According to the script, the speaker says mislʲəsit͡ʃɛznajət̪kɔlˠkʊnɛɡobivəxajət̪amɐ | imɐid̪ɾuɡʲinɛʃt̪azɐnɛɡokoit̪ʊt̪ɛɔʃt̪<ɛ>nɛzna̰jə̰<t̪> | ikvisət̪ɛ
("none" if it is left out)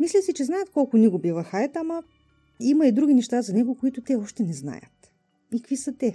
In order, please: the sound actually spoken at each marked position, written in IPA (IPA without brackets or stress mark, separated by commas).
ɛ, t̪